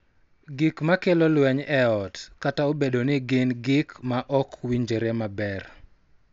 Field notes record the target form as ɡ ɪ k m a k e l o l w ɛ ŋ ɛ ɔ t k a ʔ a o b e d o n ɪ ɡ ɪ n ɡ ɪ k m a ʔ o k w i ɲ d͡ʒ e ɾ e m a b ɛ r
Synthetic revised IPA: ɡ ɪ k m a k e l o l w ɛ ɲ ɛ ɔ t k a t a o b e d o n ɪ ɡ ɪ n ɡ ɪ k m a ʔ ɔ k w i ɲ d͡ʒ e ɾ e m a b ɛ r